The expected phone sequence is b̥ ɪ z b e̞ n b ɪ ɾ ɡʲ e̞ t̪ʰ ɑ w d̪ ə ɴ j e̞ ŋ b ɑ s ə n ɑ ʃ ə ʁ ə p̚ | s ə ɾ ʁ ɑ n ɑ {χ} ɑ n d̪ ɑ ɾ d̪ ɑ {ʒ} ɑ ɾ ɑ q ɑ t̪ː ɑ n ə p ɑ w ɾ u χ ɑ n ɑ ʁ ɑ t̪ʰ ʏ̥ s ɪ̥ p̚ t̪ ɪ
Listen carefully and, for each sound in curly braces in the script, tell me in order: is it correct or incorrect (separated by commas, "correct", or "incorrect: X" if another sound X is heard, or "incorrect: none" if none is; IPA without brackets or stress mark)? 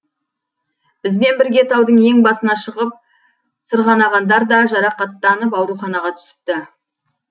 incorrect: ʁ, correct